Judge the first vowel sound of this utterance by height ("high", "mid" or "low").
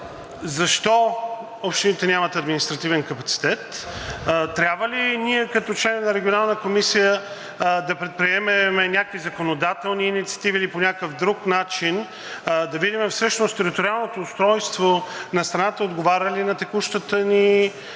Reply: low